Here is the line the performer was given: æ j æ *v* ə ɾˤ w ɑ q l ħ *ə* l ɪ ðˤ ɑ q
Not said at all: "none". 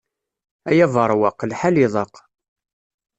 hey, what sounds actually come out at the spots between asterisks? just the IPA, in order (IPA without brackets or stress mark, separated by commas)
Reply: v, a